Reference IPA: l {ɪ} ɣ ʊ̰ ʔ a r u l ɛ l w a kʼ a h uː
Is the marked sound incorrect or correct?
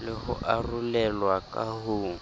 correct